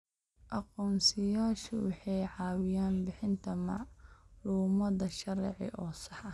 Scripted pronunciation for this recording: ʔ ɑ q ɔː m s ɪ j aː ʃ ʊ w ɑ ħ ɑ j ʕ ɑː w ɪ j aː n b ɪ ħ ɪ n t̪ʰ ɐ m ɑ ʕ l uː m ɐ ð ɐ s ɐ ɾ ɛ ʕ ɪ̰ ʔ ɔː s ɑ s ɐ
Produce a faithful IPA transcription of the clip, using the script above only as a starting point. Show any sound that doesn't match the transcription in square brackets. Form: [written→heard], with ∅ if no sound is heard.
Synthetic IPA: ʔ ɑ q ɔː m s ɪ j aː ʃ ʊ w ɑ ħ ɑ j ʕ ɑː w ɪ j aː n b ɪ ħ ɪ n t̪ʰ ɐ m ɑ ʕ l uː m ɐ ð ɐ [s→ʃ] ɐ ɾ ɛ ʕ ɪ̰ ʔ ɔː s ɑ [s→ħ] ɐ